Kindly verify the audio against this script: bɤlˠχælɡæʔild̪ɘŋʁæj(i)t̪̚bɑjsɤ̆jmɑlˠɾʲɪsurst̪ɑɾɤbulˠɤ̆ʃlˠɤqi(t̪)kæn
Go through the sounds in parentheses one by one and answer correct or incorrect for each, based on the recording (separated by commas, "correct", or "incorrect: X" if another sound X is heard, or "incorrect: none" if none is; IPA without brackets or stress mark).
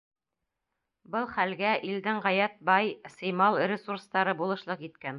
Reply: incorrect: æ, correct